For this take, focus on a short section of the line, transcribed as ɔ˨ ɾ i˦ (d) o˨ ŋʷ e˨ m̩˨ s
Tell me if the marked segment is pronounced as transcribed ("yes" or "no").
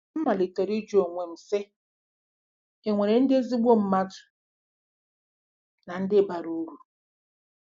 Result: no